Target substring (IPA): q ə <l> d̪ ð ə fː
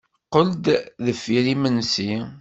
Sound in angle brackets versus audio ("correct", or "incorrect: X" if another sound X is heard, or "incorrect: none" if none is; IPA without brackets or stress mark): correct